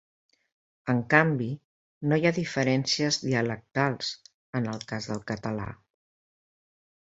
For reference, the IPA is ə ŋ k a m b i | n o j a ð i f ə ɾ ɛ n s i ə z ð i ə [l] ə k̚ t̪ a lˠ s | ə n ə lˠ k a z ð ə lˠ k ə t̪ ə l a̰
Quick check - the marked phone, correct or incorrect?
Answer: correct